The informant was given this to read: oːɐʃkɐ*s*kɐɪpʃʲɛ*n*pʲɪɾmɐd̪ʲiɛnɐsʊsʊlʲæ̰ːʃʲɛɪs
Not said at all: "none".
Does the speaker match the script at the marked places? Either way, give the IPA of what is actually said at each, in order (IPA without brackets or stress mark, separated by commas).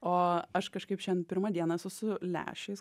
ʃ, n